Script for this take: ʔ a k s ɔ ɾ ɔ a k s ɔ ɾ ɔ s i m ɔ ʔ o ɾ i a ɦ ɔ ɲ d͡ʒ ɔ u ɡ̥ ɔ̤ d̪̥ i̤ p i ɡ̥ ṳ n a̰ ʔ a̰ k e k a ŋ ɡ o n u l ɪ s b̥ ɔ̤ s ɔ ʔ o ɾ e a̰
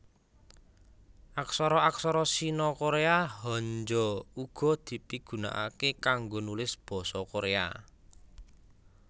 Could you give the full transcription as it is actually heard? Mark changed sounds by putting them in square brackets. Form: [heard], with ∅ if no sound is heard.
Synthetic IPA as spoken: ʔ a k s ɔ ɾ ɔ a k s ɔ ɾ ɔ s i [n] ɔ [k] o ɾ [e] a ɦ ɔ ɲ d͡ʒ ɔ u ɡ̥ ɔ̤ d̪̥ i̤ p i ɡ̥ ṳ n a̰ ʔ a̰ k e k a ŋ ɡ o n u l ɪ s b̥ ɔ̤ s ɔ [k] o ɾ e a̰